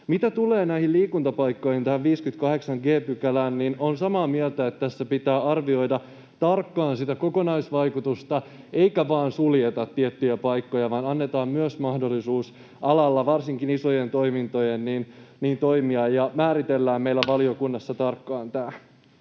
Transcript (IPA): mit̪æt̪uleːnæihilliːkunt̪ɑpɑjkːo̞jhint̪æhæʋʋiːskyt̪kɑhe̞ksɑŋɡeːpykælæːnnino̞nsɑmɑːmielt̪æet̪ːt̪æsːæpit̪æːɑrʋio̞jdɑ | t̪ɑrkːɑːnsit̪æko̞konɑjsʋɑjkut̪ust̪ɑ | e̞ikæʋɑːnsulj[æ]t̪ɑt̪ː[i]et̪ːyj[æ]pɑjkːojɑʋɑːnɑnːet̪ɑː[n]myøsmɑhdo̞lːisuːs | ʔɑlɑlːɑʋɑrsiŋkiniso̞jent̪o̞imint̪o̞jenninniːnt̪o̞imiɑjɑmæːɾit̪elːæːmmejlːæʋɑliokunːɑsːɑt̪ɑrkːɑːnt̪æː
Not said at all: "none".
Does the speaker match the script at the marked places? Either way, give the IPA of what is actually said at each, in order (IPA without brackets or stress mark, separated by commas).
e, i, æ, m